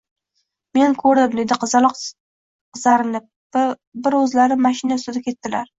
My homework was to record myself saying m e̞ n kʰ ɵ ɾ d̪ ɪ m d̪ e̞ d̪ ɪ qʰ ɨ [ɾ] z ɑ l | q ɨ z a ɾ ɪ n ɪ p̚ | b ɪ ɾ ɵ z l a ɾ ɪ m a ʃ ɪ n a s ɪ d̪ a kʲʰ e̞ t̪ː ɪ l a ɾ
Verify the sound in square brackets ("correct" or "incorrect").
incorrect